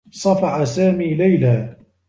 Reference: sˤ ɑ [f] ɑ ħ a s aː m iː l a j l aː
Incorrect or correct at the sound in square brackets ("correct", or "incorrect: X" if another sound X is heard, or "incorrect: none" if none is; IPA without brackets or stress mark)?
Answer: correct